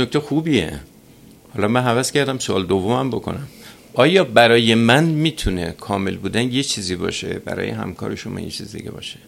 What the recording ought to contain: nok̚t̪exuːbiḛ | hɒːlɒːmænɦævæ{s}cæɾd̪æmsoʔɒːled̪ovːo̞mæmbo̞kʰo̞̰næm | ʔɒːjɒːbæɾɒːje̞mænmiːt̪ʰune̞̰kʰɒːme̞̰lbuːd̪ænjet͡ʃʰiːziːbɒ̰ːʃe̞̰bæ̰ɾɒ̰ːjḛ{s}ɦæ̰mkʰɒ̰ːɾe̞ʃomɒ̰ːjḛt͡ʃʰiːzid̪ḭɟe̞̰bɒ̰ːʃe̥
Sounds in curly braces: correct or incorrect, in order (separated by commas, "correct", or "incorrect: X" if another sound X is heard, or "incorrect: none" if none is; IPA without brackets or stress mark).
correct, incorrect: none